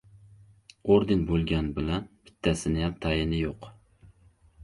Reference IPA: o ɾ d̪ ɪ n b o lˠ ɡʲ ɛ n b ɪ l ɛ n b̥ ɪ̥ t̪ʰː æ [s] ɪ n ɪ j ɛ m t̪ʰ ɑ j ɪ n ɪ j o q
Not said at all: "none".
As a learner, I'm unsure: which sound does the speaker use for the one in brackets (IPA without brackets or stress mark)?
s